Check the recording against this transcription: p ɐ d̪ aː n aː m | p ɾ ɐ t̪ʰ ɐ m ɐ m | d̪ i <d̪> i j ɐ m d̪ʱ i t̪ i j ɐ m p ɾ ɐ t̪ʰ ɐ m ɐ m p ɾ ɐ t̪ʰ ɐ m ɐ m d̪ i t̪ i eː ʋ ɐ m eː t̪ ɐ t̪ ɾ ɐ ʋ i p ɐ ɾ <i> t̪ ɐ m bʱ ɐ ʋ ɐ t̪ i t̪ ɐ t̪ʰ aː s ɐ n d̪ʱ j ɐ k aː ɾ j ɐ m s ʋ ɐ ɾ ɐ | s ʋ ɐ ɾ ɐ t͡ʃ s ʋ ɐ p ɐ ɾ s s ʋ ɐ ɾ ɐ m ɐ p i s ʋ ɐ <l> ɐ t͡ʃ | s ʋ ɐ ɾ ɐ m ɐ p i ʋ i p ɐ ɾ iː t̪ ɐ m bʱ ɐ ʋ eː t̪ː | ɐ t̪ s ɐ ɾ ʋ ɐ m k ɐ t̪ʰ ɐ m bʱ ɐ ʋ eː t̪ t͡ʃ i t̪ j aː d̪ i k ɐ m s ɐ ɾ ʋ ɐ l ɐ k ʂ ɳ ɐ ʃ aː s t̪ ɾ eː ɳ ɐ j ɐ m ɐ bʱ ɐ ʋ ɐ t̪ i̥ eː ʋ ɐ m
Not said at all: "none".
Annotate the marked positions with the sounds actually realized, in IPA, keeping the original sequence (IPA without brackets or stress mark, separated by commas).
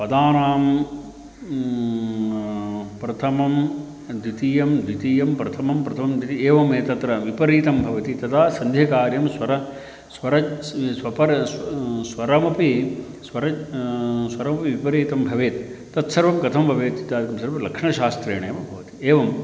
t̪, iː, ɾ